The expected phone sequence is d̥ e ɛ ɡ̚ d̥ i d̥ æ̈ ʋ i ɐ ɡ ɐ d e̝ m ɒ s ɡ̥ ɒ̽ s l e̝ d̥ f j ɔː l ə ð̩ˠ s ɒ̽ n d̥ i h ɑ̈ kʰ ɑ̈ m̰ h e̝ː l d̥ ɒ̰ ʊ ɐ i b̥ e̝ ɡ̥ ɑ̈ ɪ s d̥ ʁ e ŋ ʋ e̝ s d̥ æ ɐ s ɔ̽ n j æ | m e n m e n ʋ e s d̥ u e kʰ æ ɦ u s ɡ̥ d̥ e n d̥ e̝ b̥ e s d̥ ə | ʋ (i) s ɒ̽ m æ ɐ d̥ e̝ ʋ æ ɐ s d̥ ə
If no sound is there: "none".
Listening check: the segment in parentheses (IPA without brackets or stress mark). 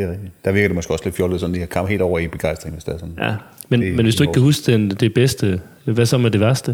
æ